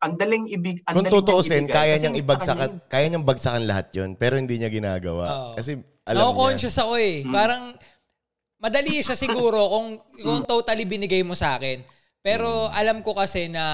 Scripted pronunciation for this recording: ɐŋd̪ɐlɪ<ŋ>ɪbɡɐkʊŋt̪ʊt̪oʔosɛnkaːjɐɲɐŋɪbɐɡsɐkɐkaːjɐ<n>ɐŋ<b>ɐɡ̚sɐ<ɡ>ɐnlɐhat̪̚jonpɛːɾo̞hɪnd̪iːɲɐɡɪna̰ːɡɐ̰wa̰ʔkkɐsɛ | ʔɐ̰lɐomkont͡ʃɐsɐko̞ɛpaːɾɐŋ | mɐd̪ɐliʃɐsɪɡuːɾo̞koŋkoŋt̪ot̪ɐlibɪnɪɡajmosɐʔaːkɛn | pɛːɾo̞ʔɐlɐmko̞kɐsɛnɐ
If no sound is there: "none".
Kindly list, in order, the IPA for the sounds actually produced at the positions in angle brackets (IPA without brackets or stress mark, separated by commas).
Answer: ŋ, ɲ, b, k